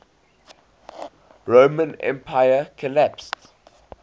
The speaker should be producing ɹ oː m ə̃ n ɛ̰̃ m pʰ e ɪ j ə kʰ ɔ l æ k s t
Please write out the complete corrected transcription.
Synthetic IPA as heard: ɹ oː m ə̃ n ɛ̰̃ m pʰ a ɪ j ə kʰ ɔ l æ p s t